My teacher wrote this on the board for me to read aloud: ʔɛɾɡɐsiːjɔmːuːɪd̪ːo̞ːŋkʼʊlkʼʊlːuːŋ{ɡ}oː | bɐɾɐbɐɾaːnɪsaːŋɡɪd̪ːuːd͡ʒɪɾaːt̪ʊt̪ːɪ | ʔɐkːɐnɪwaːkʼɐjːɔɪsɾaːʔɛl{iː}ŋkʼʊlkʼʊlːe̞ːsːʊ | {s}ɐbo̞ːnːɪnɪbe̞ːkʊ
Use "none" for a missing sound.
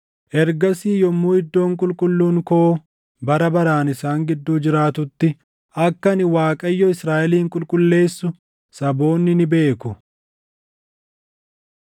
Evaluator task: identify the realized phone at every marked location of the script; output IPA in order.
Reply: k, iː, s

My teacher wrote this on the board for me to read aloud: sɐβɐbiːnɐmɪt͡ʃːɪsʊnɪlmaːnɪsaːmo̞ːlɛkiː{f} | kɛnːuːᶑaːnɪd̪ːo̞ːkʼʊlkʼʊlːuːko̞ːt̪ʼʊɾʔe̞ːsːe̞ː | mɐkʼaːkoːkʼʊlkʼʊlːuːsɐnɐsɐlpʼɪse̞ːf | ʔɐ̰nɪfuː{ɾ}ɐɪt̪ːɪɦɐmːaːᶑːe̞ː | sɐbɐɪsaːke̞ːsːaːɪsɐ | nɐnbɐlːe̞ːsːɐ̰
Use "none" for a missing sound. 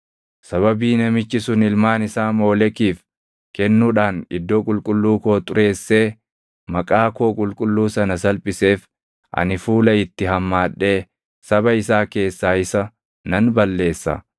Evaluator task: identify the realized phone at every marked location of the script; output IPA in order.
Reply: f, l

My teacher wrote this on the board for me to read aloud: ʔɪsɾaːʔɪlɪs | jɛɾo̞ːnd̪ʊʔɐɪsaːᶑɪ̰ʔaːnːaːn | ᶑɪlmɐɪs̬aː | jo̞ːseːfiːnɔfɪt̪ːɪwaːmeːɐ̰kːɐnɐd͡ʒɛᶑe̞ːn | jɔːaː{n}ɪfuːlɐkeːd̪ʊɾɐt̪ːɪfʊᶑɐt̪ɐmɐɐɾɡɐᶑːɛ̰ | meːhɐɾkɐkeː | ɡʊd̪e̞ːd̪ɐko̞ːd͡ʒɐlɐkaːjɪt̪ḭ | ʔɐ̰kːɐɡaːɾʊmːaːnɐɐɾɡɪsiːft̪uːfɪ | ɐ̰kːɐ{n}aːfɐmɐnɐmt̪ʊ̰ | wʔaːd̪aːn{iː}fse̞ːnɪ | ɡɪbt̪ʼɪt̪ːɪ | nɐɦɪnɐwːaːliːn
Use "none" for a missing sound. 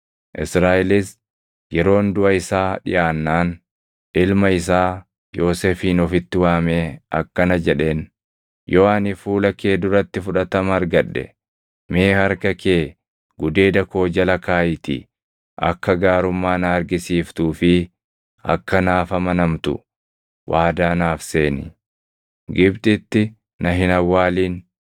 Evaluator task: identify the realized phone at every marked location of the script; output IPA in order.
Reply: n, n, aː

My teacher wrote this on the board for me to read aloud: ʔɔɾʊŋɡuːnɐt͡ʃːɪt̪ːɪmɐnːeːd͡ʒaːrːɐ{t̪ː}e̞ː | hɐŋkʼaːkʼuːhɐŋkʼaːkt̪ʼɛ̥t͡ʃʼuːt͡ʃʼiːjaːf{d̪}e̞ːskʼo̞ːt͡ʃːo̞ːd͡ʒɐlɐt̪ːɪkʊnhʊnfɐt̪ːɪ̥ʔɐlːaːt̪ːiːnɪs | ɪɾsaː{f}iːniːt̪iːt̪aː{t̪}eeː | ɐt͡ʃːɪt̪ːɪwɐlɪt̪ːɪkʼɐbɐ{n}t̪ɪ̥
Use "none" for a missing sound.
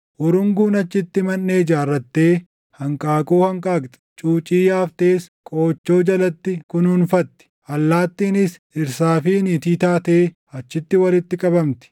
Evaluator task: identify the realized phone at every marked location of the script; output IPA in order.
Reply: t̪ː, t̪, f, t̪, m

